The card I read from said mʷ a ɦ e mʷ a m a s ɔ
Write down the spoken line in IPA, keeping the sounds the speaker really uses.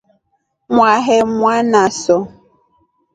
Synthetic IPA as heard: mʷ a ɦ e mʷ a n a s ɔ